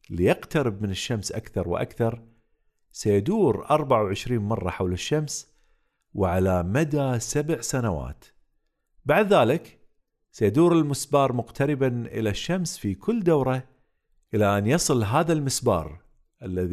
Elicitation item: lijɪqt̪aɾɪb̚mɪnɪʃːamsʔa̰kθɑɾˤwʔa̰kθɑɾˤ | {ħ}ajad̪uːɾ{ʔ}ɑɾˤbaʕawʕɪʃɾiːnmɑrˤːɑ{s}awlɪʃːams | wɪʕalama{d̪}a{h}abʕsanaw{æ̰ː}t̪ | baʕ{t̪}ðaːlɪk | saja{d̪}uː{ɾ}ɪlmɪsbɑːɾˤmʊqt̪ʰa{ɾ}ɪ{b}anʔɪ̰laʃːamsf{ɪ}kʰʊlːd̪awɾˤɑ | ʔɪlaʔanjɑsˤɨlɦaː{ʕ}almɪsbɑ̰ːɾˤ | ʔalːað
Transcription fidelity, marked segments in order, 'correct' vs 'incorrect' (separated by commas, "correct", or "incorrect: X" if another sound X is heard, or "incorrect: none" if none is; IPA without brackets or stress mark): incorrect: s, correct, incorrect: ħ, correct, incorrect: s, incorrect: a̰ː, incorrect: d̪, correct, correct, correct, correct, incorrect: i, incorrect: ð